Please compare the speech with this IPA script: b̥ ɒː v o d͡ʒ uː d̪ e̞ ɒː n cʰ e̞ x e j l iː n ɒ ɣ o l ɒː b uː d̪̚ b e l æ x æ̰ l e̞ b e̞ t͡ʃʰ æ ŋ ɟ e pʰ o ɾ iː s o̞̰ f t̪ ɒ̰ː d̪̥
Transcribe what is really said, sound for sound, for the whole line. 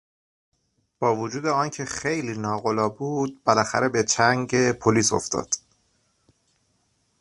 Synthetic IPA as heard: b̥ ɒː v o d͡ʒ uː d̪ e̞ ɒː n cʰ e̞ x e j l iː n ɒː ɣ o l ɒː b uː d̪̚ b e l æ x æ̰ ɾ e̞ b e̞ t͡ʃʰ æ ŋ ɟ e pʰ o l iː s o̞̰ f t̪ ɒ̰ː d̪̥